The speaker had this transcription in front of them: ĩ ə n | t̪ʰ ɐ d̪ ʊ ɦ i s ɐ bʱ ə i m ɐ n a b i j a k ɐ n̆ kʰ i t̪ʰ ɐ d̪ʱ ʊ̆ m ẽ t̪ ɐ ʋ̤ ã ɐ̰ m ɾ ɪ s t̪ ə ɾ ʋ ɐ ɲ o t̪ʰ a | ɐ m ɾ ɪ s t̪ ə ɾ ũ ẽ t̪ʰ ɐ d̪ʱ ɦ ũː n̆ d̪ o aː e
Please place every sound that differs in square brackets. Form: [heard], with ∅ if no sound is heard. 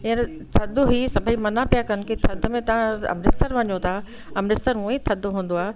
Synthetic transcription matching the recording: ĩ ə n | t̪ʰ ɐ d̪ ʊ ɦ i s ɐ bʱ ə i m ɐ n a [p] i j a k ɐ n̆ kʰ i t̪ʰ ɐ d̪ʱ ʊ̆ m ẽ t̪ ɐ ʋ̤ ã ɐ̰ m ɾ ɪ s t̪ ə ɾ ʋ ɐ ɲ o t̪ʰ a | ɐ m ɾ ɪ s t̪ ə ɾ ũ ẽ t̪ʰ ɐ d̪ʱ ɦ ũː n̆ d̪ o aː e